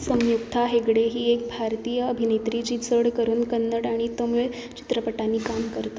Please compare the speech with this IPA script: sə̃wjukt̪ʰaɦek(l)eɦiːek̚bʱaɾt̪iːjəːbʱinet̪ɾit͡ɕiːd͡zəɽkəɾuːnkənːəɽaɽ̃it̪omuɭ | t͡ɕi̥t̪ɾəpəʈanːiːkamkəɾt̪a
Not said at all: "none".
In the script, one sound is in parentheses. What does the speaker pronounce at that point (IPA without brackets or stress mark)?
ɽ